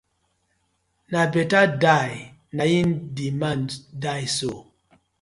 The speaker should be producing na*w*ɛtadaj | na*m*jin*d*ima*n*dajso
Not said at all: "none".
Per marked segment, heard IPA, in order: b, none, d, n

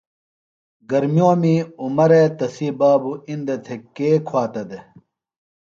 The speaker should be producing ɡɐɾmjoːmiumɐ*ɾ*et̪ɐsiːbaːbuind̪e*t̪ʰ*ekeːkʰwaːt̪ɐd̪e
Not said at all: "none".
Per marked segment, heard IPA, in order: ɾ, t̪ʰ

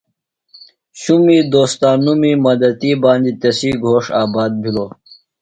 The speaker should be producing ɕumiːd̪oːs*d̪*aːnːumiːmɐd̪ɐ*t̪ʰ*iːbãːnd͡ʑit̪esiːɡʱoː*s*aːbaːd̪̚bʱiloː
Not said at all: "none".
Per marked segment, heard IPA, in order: t̪, t̪, ʂ

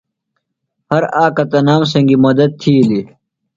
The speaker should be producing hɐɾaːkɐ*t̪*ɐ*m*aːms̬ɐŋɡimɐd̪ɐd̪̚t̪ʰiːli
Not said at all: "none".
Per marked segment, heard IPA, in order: t̪, n

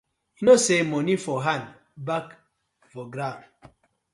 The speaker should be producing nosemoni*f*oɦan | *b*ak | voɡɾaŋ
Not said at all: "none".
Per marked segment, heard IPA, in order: f, b

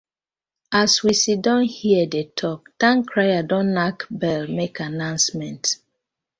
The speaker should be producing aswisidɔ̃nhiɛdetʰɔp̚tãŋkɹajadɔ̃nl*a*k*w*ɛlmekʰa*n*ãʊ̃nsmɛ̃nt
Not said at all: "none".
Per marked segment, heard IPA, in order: a, b, n

